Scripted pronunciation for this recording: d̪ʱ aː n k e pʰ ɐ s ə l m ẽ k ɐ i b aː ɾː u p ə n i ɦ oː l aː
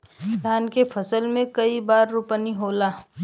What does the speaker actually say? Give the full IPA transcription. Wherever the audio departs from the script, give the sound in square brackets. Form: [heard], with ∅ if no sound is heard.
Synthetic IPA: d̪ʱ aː n k e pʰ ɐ s ə l m ẽ k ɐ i b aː ɾː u p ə n i ɦ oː l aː